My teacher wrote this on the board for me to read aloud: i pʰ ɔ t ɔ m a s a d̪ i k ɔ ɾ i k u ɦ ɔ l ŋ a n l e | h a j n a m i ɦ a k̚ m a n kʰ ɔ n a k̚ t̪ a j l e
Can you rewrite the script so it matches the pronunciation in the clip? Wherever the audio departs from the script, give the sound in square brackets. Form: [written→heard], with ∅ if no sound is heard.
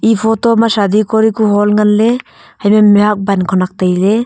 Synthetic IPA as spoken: i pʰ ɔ t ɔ m a s a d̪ i k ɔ ɾ i k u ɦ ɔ l ŋ a n l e | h a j [n→m] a m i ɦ a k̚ [m→b] a n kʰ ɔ n a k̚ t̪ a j l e